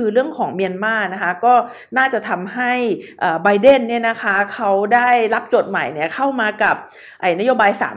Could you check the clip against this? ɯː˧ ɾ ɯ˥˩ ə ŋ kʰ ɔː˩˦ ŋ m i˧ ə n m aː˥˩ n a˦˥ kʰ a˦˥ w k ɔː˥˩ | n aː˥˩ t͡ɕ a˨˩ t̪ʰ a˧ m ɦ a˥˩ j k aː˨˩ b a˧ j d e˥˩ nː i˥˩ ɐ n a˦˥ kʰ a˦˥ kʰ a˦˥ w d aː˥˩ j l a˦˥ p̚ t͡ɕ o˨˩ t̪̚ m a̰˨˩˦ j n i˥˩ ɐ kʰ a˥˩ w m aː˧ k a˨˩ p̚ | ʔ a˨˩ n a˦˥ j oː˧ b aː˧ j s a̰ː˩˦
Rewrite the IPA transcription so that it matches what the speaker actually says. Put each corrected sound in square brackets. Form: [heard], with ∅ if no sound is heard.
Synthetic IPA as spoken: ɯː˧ ɾ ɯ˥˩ ə ŋ kʰ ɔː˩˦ ŋ m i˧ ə n m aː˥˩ n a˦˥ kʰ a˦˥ [∅] k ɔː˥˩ | n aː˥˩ t͡ɕ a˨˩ t̪ʰ a˧ m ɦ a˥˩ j [ʔ] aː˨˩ b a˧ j d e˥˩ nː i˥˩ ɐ n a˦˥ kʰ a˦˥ kʰ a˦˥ w d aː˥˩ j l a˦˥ p̚ t͡ɕ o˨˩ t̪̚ m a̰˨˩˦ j n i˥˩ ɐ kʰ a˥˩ w m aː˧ k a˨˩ p̚ | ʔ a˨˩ n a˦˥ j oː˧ b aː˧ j s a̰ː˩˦